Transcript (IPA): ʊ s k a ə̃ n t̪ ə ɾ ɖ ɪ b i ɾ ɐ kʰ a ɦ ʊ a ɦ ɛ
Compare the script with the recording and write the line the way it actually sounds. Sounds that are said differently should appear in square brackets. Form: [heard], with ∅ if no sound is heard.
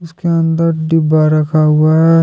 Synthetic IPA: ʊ s k [e] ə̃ n [d̪] ə ɾ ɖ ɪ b [a] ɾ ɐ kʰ a ɦ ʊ a ɦ ɛ